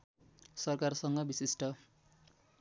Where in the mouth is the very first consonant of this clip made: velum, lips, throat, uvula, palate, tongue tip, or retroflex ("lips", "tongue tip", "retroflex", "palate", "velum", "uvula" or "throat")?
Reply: tongue tip